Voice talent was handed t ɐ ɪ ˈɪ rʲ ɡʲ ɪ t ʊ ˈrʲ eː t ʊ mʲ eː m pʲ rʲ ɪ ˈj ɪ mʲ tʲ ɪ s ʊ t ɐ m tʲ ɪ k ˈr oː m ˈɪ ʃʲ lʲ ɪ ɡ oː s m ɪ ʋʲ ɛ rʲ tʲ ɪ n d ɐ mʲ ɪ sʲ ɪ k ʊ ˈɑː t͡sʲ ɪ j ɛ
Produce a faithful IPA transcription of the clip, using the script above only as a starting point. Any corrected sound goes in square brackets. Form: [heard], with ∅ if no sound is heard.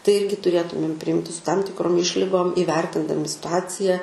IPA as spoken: t ɐ ɪ ˈɪ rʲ ɡʲ ɪ t ʊ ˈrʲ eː t ʊ mʲ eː m pʲ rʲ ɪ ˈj ɪ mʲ tʲ ɪ s ʊ t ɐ m tʲ ɪ k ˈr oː m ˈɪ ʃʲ lʲ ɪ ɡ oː [∅] m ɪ ʋʲ ɛ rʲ tʲ ɪ n d ɐ mʲ ɪ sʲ ɪ [t] ʊ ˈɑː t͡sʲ ɪ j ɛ